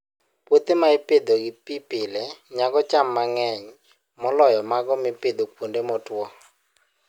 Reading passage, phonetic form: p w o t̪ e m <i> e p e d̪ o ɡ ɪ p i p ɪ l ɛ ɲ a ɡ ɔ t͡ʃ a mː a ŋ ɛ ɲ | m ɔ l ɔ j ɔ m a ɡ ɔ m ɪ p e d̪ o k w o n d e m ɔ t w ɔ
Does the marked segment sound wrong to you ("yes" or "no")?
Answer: yes